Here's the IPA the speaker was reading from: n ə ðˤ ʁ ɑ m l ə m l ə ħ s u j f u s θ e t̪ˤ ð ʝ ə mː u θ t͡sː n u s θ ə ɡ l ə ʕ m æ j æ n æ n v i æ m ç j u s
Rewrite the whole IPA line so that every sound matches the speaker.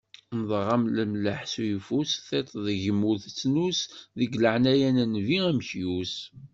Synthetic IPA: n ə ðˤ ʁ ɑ m l ə m l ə ħ s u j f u s θ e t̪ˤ ð ʝ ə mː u θ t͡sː n u s ð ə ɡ l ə ʕ n æ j æ n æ n v i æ m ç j u s

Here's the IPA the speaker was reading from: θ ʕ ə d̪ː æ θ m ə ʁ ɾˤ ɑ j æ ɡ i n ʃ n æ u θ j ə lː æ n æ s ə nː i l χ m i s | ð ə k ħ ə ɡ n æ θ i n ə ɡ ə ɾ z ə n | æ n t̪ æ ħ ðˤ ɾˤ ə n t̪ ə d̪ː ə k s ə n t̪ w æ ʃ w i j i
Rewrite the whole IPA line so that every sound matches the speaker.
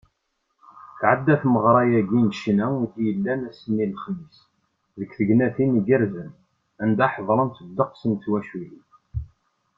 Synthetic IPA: θ ʕ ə d̪ː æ θ m ə ʁ ɾˤ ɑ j æ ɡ i n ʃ n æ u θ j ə lː æ n æ s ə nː i l χ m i s | ð ə k θ ə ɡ n æ θ i n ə ɡ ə ɾ z ə n | æ n d̪ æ ħ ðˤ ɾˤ ə n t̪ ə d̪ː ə q s ə n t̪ w æ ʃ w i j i

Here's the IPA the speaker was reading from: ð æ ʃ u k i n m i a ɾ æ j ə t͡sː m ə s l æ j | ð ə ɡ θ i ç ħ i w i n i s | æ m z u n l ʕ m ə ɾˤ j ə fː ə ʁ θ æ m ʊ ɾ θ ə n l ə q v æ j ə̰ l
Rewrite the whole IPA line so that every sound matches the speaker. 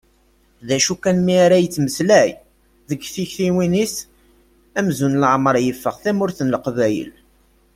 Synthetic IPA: ð æ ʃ u k æ n m i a ɾ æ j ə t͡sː m ə s l æ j | ð ə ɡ θ i ç θ i w i n i s | æ m z u n l ʕ m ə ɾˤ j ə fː ə ʁ θ æ m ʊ ɾ θ ə n l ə q v æ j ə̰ l

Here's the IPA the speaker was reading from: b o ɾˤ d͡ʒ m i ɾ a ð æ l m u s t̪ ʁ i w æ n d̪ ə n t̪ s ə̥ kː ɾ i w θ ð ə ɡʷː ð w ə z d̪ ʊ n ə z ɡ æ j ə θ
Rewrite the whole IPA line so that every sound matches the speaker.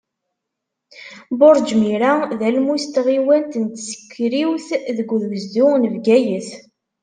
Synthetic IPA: b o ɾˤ d͡ʒ m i ɾ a ð æ l m u s t̪ ʁ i w æ n t̪ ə n t̪ s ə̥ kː ɾ i w θ ð ə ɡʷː ð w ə z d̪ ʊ n ə v ɡ æ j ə θ

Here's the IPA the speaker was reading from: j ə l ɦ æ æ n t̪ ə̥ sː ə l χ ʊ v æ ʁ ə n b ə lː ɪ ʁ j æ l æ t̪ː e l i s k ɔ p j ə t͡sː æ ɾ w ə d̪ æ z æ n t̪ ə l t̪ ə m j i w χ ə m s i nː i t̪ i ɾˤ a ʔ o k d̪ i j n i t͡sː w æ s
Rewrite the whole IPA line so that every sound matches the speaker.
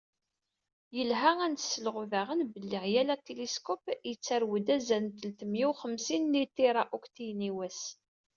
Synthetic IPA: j ə l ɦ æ æ n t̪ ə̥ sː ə l ʁ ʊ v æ ʁ ə n b ə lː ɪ ʁ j æ l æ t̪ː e l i s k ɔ p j ə t͡sː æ ɾ w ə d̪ æ z æ n t̪ ə l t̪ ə m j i w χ ə m s i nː i t̪ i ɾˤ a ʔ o k t̪ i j n i w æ s

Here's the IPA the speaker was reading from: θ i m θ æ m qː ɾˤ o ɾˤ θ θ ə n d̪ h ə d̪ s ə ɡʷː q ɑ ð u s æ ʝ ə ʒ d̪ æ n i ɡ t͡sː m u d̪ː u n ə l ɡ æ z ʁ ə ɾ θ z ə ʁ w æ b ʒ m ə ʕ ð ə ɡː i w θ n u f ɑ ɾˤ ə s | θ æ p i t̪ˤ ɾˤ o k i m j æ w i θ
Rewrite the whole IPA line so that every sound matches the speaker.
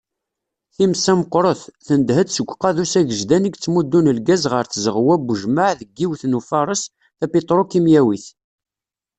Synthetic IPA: θ i m s æ m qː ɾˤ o θ θ ə n d̪ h ə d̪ s ə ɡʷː q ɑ ð u s æ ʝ ə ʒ d̪ æ n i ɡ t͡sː m u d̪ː u n ə l ɡ æ z ʁ ə ɾ θ z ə ʁ w æ b ʒ m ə ʕ ð ə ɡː i w θ n u f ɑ ɾˤ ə s | θ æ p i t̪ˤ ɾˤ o k i m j æ w i θ

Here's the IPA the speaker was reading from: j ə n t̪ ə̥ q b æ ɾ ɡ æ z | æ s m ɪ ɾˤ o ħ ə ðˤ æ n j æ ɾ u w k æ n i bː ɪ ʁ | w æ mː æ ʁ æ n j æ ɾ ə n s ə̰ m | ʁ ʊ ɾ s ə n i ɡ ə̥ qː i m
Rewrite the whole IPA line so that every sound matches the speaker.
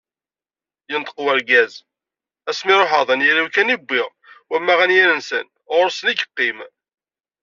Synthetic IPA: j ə n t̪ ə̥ q w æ ɾ ɡ æ z | æ s m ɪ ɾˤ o ħ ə ðˤ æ n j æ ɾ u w k æ n i bː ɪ ʁ | w æ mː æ ʁ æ n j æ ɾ ə n s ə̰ n | ʁ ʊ ɾ s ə n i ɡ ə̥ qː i m

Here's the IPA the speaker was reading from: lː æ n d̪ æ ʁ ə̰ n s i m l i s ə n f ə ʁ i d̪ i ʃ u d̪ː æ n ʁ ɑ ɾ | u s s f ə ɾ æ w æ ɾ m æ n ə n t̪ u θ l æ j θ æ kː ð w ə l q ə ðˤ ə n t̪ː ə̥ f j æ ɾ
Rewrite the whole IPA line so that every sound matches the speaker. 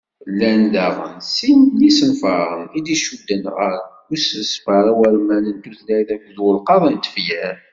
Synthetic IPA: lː æ n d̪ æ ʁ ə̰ n s i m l i s ə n f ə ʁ i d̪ i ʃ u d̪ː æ n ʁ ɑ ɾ | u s s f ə ɾ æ w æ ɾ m æ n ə n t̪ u θ l æ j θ æ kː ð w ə l q ɑ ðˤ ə n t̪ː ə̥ f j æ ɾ

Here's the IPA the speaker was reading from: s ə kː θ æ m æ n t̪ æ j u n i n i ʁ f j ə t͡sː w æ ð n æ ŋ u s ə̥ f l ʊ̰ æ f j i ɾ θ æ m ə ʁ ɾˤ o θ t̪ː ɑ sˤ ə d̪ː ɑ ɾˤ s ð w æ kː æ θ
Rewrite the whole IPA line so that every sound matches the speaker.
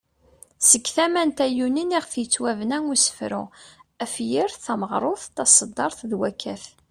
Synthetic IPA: s ə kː θ æ m æ n t̪ æ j u n i n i ʁ θ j ə t͡sː w æ v n æ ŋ u s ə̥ f ɾ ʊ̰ æ f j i ɾ θ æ m ə ʁ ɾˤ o θ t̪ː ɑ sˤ ə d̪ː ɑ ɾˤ θ ð w æ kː æ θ

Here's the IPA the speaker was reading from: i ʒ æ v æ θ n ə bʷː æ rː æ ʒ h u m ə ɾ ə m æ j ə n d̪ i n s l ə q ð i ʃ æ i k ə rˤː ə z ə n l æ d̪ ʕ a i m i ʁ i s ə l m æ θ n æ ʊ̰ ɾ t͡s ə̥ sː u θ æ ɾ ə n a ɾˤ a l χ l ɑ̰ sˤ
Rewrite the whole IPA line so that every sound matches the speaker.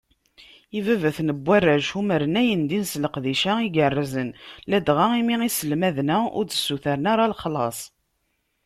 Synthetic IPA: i v æ v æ θ n ə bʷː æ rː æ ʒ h u m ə ɾ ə n æ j ə n d̪ i n s l ə q ð i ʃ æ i ɡ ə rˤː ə z ə n l æ d̪ ʁ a i m i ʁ i s ə l m æ ð n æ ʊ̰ ɾ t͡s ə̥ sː u θ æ ɾ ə n a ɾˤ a l χ l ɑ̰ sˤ

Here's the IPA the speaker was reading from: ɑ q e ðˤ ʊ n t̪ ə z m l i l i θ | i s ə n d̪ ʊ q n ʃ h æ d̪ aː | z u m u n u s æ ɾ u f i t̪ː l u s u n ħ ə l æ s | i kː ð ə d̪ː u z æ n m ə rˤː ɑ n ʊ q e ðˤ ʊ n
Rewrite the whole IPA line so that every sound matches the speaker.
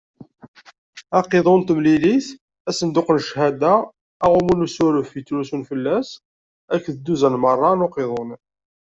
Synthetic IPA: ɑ q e ðˤ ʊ n t̪ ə m l i l i θ | æ s ə n d̪ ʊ q n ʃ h æ d̪ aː | ʁ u m u n u s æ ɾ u f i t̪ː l u s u n f ə lː æ s | æ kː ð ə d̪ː u z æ n m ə rˤː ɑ n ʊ q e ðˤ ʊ n

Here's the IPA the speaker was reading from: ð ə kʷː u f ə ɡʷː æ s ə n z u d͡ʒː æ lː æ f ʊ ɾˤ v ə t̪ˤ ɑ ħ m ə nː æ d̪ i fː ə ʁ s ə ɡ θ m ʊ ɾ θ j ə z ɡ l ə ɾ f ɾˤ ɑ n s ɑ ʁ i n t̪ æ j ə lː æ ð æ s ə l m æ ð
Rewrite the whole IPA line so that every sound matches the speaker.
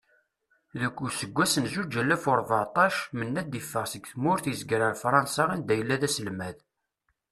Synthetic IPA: ð ə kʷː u s ə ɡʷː æ s ə n z u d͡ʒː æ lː æ f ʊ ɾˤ v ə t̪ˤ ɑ ʃ m ə nː æ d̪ i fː ə ʁ s ə ɡ θ m ʊ ɾ θ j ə z ɡ ɾ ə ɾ f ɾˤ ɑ n s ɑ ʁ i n d̪ æ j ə lː æ ð æ s ə l m æ ð

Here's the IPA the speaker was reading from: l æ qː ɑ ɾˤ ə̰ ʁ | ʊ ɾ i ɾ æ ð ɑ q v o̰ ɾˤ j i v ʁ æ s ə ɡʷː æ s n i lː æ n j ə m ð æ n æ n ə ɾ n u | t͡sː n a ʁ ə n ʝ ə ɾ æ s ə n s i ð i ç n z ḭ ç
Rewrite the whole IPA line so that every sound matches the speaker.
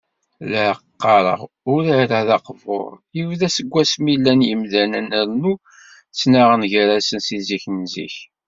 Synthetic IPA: l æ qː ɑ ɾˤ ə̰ ʁ | ʊ ɾ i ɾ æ ð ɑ q v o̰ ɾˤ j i v ð æ s ə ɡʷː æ s m i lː æ n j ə m ð æ n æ n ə ɾ n u | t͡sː n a ʁ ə n ʝ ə ɾ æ s ə n s i z i ç n z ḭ ç

